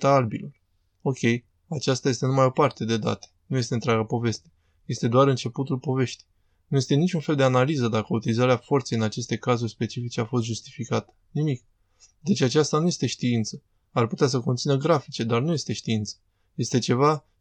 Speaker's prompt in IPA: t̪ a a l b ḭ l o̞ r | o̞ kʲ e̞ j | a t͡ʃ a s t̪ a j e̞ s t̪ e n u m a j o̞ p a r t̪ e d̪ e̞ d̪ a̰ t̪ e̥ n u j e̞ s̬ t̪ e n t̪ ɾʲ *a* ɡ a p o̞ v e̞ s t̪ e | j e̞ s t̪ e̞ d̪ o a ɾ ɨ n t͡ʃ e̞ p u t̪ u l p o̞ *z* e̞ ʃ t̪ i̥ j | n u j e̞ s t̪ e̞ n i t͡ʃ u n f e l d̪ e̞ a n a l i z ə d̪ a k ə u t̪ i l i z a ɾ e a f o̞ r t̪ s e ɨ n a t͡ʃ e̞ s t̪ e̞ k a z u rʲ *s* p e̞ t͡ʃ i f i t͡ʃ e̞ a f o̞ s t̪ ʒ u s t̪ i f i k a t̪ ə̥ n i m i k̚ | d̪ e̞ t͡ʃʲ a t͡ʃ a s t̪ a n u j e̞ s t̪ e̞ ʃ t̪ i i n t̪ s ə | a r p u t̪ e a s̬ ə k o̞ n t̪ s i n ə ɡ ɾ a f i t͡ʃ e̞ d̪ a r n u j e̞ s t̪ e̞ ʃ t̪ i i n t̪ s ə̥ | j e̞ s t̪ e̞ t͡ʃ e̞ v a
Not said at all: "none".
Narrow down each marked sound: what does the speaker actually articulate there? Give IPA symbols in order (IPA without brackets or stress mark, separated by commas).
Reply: a, v, s